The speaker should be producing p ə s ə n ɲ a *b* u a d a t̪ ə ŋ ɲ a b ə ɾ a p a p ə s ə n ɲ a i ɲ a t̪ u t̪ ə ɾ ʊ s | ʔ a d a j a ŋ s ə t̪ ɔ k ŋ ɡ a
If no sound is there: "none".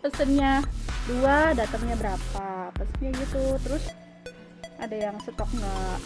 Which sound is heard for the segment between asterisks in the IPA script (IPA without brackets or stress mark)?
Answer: d